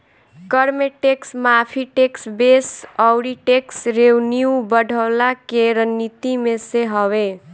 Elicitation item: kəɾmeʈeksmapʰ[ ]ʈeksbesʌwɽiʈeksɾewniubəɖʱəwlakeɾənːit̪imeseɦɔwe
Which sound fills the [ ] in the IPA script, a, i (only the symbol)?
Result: i